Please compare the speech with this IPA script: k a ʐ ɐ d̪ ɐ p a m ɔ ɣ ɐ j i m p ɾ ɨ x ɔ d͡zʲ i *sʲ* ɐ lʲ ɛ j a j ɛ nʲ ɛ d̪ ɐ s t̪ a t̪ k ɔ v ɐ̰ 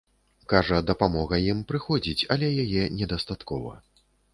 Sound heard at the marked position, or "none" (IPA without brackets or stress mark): t͡sʲ